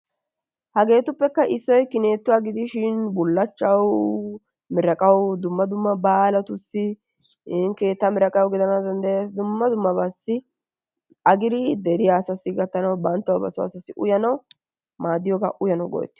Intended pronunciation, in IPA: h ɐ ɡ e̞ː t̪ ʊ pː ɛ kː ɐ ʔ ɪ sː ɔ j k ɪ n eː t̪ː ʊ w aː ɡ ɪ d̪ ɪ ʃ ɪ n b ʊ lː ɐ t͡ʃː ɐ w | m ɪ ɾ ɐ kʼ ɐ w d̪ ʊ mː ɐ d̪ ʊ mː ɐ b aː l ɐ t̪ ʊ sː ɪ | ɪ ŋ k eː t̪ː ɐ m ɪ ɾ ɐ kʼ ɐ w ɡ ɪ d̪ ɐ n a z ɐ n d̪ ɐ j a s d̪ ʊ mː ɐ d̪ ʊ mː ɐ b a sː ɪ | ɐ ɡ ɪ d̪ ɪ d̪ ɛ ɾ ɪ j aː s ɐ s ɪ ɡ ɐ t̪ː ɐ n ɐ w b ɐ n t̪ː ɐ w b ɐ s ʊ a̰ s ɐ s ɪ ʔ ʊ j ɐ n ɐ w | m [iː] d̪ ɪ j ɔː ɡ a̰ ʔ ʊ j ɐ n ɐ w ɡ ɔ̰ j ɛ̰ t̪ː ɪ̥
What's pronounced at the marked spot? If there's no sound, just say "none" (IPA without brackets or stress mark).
aː